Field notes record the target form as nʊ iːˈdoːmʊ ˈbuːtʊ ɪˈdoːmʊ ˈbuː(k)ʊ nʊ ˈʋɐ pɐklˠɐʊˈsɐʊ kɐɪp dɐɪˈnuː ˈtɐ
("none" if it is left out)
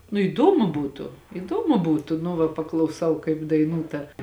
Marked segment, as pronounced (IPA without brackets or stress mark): t